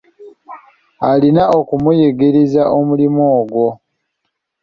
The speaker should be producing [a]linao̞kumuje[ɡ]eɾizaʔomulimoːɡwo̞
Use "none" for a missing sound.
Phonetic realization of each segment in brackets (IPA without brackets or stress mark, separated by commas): a, ɡ